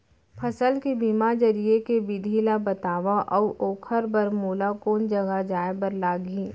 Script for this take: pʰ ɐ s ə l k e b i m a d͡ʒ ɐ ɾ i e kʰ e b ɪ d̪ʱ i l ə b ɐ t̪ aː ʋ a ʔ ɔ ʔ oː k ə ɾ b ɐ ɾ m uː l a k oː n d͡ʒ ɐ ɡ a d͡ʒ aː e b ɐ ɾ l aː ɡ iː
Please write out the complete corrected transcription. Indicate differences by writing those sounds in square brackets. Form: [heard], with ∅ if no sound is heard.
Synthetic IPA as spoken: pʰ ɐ s ə l k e b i m a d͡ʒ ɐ ɾ i e [k] e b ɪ d̪ʱ i l [a] b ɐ t̪ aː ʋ a ʔ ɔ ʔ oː [kʰ] ə ɾ b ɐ ɾ m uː l a k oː n d͡ʒ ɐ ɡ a d͡ʒ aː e b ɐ ɾ l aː ɡ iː